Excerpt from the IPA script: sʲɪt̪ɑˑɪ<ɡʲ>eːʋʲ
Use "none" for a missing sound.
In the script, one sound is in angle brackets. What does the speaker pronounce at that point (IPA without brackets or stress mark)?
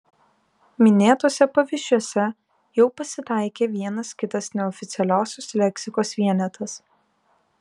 kʲ